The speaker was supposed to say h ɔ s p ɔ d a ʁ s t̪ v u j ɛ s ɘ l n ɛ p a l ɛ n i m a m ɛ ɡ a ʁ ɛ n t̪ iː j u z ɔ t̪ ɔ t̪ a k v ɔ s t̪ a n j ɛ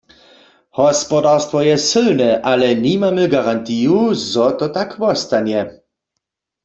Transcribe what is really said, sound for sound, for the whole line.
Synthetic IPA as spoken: h ɔ s p ɔ d a ʁ s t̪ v ɔ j ɛ s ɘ l n ɛ ʔ a l ɛ n i m a m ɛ ɡ a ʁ a n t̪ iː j u z ɔ t̪ ɔ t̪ a k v ɔ s t̪ a n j ɛ